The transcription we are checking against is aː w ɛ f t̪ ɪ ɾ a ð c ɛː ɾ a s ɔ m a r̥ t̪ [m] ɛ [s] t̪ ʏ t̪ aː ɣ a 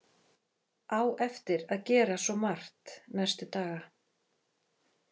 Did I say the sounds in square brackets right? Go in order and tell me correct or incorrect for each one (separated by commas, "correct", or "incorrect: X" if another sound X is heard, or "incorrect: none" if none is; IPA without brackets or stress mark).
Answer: incorrect: n, correct